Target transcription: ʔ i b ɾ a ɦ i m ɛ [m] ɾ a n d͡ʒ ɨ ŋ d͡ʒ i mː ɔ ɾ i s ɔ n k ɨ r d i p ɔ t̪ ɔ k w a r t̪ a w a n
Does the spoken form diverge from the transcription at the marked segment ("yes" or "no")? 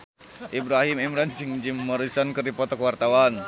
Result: no